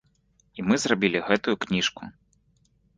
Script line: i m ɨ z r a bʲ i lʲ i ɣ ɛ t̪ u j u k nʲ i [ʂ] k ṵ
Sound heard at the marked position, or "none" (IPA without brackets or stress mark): ʂ